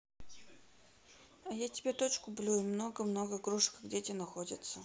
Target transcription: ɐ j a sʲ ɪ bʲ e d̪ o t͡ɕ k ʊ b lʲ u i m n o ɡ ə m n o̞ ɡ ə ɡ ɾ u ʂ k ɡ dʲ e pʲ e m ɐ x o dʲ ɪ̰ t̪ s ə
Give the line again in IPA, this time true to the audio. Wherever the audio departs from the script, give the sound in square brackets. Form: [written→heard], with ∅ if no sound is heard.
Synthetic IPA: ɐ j a [sʲ→tʲ] ɪ bʲ e [d̪→t̪] o t͡ɕ k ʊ b lʲ u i m n o ɡ ə m n o̞ ɡ ə ɡ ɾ u ʂ k ɡ dʲ e [pʲ→tʲ] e [m→n] ɐ x o dʲ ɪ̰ t̪ s ə